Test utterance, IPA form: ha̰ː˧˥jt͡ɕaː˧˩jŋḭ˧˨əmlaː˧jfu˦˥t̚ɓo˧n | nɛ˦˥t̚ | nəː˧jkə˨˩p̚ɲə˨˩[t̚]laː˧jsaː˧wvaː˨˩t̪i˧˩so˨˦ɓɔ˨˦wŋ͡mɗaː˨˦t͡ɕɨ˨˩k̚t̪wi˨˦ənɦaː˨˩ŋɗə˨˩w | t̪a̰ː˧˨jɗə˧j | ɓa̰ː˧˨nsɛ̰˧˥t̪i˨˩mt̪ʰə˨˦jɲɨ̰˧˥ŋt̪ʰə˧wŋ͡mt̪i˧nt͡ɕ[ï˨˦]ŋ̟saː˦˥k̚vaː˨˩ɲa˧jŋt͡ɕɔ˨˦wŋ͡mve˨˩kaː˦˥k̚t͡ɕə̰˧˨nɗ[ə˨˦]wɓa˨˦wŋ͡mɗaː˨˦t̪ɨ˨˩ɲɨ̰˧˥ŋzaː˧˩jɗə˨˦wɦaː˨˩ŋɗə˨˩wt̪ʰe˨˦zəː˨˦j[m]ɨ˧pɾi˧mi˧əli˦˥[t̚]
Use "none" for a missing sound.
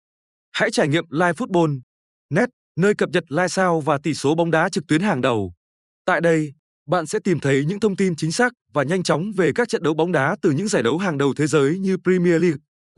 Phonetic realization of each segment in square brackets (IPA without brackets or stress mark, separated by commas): t̚, ï˨˦, ə˨˦, ɲ, k̚